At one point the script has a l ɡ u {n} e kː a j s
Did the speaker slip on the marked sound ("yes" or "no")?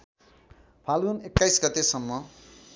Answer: no